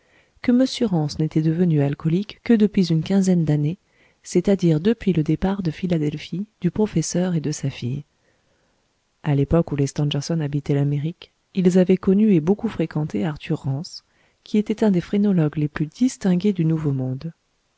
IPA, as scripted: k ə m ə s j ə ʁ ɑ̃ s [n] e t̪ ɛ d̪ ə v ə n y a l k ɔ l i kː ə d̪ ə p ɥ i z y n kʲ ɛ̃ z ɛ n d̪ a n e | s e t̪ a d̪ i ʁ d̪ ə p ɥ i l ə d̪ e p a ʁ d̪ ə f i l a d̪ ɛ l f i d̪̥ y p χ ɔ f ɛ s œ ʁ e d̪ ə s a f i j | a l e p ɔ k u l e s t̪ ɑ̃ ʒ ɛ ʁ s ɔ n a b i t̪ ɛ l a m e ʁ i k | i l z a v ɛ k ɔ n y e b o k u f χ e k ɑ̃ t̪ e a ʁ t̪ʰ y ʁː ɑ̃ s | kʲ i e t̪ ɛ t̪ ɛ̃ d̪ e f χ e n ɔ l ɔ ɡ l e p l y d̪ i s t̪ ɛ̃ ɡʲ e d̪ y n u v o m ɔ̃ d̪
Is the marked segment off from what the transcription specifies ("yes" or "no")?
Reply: no